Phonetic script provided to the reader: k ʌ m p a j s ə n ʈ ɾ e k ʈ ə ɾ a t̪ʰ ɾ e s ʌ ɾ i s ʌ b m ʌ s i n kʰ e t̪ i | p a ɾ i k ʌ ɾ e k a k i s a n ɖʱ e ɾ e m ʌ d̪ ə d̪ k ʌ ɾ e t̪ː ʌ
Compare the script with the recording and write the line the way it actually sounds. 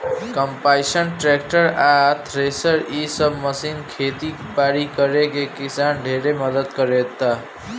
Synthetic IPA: k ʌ m p a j s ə n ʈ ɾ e k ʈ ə ɾ a t̪ʰ ɾ e s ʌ ɾ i s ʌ b m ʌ s i n kʰ e t̪ i | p a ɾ i k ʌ ɾ e k e k i s a n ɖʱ e ɾ e m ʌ d̪ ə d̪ k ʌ ɾ e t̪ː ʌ